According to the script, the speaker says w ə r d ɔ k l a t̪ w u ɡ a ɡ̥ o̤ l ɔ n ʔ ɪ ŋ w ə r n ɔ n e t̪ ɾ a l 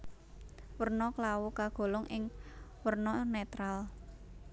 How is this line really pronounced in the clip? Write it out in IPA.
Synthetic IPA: w ə r n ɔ k l a w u k a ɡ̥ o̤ l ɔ ŋ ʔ ɪ ŋ w ə r n ɔ n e t̪ ɾ a l